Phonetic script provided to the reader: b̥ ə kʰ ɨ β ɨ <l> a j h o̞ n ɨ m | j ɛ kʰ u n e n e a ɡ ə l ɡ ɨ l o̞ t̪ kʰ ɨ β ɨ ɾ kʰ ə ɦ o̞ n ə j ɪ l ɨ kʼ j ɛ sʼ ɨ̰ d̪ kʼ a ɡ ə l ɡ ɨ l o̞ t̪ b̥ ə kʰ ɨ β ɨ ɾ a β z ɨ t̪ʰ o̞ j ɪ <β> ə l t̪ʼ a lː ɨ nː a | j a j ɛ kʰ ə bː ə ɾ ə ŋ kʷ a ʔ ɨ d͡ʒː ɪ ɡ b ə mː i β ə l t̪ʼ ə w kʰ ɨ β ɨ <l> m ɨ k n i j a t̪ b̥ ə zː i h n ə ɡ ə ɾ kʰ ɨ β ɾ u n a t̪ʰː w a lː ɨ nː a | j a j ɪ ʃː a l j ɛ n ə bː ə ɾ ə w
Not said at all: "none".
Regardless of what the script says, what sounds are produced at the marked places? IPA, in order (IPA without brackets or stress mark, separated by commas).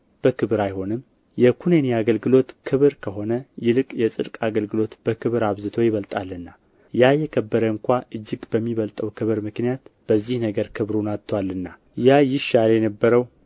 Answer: ɾ, β, ɾ